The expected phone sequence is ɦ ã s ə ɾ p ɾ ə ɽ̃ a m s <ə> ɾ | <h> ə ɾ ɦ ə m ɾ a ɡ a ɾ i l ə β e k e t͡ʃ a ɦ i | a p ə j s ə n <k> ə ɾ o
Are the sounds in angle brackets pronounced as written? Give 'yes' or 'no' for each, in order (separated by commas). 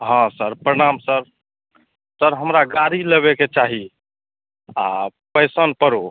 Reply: yes, no, no